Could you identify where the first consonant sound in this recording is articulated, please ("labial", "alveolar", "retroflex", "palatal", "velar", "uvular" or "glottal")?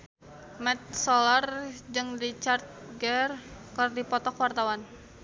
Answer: labial